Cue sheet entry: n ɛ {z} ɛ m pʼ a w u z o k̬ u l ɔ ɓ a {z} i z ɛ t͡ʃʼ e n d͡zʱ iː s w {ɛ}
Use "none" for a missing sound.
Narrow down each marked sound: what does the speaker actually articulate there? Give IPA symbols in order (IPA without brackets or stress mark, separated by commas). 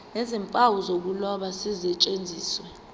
z, s, ɛ